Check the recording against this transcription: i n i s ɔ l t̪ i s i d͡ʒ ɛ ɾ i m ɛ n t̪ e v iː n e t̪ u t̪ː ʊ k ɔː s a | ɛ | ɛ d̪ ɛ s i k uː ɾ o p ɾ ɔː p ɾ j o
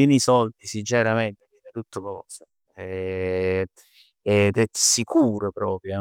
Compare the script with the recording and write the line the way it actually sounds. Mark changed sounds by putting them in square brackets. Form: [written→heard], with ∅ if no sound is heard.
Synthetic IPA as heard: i n i s ɔ l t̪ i s i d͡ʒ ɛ ɾ [i→a] m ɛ n t̪ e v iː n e t̪ u t̪ː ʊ k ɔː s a | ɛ | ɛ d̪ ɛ s i k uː ɾ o p ɾ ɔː p ɾ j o